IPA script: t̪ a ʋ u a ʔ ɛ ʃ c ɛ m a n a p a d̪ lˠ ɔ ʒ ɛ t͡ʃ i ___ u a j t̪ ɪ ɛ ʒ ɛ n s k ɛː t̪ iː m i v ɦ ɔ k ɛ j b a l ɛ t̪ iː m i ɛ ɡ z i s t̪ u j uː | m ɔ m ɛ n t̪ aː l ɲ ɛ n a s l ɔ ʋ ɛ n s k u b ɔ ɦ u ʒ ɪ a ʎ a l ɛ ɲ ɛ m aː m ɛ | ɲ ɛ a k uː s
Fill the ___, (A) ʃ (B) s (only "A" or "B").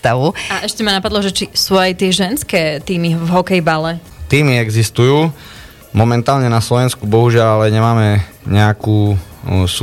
B